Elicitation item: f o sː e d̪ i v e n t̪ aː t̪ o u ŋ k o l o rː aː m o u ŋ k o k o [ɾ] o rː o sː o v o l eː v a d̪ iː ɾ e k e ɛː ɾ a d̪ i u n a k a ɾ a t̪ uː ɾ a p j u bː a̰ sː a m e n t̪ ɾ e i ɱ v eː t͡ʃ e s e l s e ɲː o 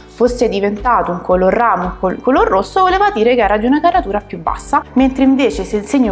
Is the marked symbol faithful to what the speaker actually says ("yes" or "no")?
no